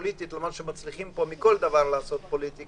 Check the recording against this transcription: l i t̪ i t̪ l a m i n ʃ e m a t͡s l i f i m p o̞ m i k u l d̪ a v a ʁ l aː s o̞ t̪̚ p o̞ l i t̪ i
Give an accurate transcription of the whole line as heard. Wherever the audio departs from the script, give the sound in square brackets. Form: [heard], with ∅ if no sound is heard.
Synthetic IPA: l i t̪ i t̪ l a m [a] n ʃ e m a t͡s l i [χ] i m p o̞ m i k [o] l d̪ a v a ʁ l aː s o̞ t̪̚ p o̞ l i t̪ i